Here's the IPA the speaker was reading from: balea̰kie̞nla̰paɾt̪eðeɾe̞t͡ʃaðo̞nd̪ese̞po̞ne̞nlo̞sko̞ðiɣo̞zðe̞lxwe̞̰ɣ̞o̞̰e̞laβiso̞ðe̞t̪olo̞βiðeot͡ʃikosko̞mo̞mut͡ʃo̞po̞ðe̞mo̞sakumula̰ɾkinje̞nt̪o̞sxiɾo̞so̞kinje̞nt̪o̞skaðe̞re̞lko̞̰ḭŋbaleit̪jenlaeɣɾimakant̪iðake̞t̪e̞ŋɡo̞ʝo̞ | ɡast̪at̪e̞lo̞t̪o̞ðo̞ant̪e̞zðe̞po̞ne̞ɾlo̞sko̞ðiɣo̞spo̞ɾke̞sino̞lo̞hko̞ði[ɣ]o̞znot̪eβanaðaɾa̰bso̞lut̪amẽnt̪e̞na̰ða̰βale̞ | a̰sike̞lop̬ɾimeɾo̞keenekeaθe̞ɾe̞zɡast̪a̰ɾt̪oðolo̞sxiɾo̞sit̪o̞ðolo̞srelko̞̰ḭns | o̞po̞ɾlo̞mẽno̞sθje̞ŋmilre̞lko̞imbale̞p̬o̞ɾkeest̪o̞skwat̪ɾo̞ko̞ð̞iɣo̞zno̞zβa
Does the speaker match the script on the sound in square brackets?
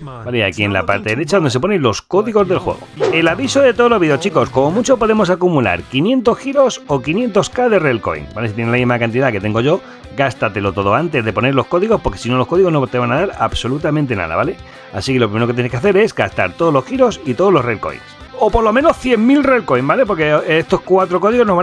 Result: yes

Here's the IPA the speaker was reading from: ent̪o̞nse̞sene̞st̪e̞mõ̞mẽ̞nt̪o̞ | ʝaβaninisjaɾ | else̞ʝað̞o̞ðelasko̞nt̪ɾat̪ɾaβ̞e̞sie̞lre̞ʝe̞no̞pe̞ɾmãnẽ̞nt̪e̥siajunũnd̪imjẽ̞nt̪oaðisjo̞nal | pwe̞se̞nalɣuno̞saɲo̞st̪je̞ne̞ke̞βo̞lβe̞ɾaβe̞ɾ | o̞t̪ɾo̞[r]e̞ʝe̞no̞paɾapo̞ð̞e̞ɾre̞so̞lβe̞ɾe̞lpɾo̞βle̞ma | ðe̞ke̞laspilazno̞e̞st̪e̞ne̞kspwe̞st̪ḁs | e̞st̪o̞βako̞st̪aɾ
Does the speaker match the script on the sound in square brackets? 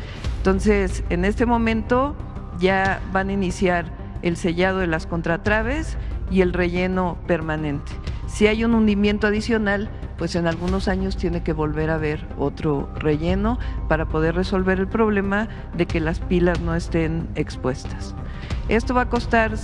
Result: yes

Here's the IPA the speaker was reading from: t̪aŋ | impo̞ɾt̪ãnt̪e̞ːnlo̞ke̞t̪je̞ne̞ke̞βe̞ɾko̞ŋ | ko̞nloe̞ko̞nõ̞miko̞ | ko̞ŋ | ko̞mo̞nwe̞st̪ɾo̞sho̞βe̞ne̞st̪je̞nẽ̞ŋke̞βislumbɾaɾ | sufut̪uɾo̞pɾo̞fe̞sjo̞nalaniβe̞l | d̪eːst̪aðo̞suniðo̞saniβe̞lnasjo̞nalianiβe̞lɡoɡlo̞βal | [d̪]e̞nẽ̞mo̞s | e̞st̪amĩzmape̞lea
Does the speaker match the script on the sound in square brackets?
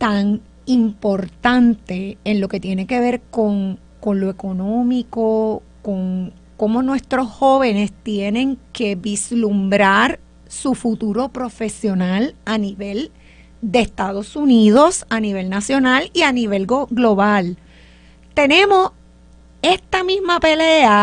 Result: no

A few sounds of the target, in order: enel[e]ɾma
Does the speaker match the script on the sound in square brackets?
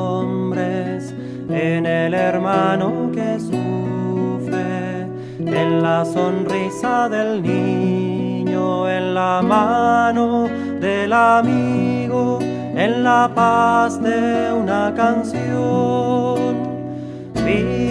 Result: yes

